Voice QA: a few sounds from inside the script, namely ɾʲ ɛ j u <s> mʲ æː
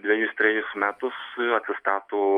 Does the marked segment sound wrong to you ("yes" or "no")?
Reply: no